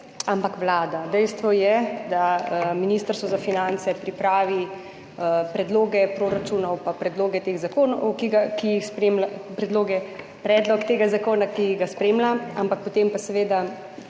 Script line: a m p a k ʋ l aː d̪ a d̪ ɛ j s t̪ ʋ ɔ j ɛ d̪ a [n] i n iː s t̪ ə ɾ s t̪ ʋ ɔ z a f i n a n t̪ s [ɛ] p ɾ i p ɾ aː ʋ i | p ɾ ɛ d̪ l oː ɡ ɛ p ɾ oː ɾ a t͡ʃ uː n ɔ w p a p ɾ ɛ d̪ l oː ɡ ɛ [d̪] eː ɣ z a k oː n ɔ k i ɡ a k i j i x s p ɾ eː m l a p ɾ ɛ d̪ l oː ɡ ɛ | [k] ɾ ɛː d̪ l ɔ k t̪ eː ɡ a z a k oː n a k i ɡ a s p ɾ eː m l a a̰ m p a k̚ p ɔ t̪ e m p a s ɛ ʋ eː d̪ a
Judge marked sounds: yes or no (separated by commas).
no, yes, no, no